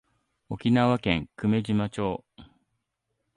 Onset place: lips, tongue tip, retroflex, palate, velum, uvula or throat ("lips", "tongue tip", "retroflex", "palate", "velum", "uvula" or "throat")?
velum